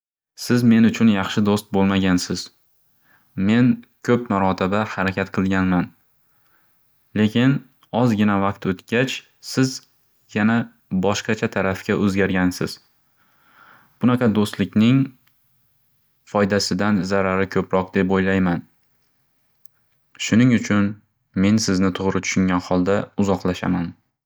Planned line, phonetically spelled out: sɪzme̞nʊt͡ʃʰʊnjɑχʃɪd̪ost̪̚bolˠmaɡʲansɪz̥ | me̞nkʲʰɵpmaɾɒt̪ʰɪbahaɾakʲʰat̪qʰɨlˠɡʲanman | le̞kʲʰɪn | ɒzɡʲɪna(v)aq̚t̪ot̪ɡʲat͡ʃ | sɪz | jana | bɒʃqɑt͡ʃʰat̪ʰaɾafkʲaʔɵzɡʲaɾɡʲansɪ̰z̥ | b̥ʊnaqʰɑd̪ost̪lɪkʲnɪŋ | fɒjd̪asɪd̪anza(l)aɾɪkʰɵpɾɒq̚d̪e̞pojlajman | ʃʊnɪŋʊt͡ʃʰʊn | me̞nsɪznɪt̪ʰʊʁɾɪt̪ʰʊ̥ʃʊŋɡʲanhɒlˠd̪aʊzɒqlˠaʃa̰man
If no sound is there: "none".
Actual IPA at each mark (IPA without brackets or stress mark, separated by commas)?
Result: v, ɾ